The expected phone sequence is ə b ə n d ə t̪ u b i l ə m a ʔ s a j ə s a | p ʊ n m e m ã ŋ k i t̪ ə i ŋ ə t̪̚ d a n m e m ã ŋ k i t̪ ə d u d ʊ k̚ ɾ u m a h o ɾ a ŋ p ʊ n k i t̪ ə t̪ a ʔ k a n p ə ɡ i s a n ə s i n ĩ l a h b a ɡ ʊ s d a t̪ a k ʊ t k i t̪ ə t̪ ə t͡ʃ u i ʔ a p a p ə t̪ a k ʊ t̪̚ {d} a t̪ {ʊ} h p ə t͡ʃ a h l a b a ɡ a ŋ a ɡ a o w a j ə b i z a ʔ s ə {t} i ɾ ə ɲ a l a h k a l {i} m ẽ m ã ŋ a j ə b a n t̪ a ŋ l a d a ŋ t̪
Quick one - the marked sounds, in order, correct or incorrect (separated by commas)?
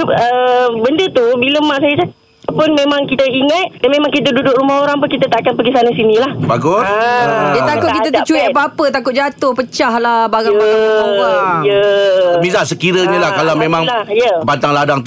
incorrect, correct, incorrect, incorrect